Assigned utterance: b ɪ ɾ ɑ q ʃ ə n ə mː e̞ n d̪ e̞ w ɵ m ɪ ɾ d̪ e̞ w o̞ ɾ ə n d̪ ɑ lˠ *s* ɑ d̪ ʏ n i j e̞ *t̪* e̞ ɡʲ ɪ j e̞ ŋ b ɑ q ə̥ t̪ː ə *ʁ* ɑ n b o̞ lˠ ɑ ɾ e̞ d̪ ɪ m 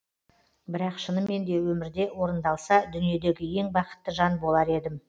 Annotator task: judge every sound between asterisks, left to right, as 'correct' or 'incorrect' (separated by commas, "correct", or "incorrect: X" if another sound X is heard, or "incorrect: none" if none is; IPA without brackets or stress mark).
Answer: correct, incorrect: d̪, incorrect: ʒ